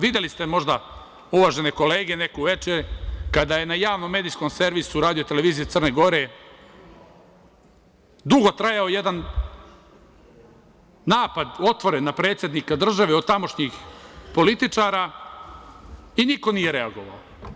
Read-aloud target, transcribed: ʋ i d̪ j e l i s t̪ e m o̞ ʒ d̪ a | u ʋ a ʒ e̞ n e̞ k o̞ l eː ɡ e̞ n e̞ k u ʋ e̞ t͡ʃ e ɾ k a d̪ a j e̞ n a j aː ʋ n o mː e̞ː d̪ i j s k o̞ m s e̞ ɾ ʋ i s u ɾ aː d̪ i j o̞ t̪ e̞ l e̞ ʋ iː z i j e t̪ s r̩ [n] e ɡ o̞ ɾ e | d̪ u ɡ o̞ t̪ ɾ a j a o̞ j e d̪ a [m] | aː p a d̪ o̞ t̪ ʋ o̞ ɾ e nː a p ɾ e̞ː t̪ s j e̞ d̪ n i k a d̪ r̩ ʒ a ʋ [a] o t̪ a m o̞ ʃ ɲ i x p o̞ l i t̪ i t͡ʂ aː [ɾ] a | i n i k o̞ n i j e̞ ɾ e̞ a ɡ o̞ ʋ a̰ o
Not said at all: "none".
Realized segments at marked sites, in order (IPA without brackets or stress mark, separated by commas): n, n, e, ɾ